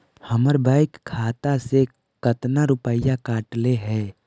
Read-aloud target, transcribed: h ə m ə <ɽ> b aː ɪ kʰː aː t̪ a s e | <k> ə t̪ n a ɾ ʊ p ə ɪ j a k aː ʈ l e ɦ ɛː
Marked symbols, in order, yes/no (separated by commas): no, yes